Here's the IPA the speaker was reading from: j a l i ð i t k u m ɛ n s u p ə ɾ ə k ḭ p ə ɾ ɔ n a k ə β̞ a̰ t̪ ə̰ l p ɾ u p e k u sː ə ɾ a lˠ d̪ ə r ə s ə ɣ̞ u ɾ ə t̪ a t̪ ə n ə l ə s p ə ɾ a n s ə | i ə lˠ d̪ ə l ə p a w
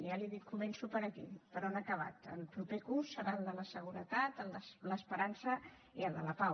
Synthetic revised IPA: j a l i ð i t k u m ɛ n s u p ə ɾ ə k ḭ p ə ɾ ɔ n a k ə β̞ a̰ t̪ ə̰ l p ɾ u p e k u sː ə ɾ a lˠ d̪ ə l ə s ə ɣ̞ u ɾ ə t̪ a t̪ ə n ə l ə s p ə ɾ a n s ə | i ə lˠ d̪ ə l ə p a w